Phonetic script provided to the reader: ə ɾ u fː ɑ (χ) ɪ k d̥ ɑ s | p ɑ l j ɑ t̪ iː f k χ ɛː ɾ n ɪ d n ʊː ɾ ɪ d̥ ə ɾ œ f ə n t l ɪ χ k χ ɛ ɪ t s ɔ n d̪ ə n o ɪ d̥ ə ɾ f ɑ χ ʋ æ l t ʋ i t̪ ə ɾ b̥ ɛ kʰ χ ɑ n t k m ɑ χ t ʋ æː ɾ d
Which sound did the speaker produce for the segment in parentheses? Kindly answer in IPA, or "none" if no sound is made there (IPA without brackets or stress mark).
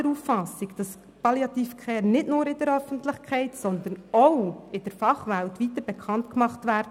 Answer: s